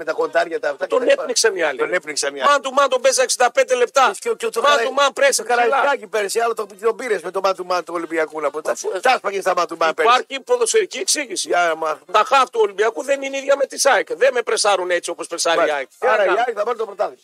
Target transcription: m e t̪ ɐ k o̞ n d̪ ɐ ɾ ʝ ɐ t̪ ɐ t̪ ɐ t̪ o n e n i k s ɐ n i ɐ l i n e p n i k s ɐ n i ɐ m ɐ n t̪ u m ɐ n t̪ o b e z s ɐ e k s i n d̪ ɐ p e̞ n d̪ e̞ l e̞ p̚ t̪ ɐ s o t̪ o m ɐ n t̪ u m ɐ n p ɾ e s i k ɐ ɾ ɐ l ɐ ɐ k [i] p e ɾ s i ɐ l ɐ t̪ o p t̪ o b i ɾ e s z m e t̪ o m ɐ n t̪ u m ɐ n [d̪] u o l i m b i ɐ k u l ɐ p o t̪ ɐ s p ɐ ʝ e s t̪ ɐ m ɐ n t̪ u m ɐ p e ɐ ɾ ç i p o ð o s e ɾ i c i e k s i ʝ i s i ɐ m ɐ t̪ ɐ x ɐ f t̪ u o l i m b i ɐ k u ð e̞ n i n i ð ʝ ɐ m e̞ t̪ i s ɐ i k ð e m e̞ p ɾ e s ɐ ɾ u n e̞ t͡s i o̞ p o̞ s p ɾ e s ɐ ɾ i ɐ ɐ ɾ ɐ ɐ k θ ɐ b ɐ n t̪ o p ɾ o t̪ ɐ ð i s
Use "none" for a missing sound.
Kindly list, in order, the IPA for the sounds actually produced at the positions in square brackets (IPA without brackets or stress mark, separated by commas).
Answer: i, t̪